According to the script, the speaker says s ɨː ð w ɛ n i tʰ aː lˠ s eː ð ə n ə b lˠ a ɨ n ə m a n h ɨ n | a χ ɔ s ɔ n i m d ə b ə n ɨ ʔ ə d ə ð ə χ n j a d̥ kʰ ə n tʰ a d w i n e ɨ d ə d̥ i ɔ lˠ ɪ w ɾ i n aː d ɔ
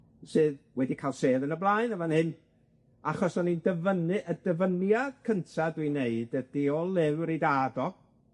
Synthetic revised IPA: s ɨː ð w ɛ d i kʰ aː lˠ s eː ð ə n ə b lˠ a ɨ n ə m a n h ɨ n | a χ ɔ s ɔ n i n d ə v ə n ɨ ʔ ə d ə v ə n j a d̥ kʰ ə n tʰ a d w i n e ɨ d ə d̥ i ɔ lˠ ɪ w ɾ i d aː d ɔ